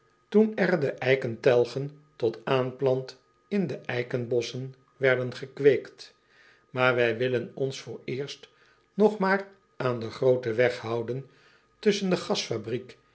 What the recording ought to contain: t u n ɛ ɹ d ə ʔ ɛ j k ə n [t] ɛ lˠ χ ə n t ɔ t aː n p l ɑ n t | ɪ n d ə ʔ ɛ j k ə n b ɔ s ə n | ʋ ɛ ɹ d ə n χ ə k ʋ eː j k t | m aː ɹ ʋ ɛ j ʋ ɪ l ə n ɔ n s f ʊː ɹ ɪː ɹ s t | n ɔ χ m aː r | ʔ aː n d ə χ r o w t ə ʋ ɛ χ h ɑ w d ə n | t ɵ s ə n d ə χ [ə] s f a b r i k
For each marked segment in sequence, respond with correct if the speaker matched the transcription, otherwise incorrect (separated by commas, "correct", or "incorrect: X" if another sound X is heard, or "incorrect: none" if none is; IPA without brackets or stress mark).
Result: correct, incorrect: ɑ